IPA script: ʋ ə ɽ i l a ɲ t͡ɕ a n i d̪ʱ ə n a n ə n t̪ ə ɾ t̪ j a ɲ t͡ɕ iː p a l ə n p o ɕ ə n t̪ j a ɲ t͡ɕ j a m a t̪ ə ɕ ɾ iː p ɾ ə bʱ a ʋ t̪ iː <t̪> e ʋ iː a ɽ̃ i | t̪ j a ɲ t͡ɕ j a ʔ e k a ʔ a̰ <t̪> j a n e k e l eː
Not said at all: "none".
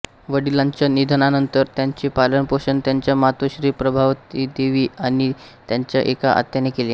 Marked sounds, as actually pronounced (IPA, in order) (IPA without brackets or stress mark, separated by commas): d̪, t̪